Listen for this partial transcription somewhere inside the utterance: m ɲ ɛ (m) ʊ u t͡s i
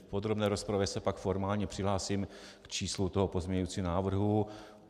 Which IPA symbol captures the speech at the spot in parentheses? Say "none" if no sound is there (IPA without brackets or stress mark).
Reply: ɲ